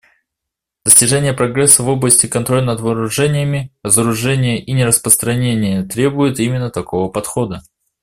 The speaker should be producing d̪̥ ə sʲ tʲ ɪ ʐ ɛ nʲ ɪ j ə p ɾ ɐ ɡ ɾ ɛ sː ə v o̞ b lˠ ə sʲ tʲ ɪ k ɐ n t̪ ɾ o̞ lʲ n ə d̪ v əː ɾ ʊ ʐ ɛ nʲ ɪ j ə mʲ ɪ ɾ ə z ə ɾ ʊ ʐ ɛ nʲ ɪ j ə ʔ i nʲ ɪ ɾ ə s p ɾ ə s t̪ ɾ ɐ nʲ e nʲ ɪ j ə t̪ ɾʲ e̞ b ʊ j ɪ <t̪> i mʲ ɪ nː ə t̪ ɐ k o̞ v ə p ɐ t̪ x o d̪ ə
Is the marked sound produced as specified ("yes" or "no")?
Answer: yes